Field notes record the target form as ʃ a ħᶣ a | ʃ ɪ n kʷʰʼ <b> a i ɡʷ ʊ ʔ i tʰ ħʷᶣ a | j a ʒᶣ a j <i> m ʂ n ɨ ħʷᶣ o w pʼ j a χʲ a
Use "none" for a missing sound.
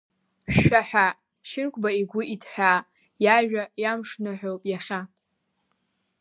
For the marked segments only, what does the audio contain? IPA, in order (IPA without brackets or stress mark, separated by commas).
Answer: b, a